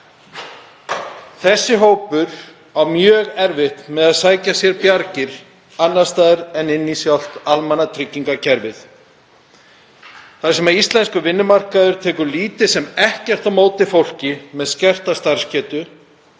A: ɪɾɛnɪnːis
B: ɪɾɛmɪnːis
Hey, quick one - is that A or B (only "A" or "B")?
A